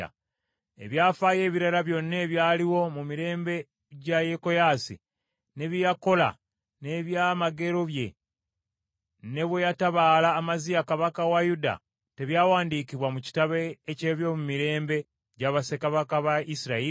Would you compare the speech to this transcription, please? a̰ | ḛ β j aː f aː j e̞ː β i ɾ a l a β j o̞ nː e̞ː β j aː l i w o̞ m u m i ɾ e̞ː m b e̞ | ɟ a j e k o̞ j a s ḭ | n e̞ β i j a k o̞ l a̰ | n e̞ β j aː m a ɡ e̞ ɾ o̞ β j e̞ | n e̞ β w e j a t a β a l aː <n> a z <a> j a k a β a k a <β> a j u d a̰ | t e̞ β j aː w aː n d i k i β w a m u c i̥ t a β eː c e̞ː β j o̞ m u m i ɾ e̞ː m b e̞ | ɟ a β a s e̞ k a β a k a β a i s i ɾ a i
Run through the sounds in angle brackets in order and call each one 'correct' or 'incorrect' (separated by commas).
incorrect, incorrect, incorrect